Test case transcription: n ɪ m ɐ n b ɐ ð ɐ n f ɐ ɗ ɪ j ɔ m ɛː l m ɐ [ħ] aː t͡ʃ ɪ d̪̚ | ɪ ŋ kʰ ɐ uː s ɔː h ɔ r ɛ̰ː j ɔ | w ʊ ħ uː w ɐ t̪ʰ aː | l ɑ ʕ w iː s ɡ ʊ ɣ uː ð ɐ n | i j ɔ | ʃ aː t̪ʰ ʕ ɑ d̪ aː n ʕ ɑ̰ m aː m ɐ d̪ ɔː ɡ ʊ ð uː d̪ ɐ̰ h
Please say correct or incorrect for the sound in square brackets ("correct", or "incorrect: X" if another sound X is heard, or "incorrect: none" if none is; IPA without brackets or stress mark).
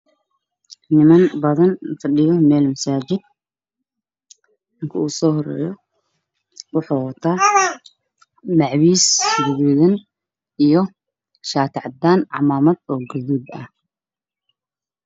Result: incorrect: s